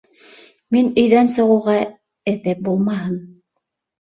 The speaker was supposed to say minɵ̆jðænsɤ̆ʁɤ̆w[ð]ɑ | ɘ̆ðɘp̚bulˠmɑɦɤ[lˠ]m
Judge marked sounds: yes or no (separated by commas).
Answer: no, no